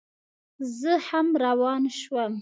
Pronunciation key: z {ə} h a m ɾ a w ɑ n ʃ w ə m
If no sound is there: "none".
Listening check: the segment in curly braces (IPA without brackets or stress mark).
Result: ə